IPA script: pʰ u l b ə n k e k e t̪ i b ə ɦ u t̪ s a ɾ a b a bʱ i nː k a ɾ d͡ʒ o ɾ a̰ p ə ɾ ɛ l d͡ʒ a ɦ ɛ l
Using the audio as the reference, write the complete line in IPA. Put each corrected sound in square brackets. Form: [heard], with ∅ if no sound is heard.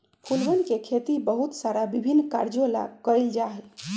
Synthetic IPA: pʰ u l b ə n k e [kʰ] e t̪ i b ə ɦ u t̪ s a ɾ a b [i] bʱ i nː k a ɾ d͡ʒ o [l] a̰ [k] ə ɾ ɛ l d͡ʒ a ɦ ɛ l